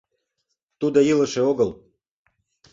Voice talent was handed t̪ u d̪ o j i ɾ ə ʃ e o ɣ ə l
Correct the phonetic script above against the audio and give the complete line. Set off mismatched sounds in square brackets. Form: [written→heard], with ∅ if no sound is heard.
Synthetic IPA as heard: t̪ u d̪ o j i [ɾ→l] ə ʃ e o ɣ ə l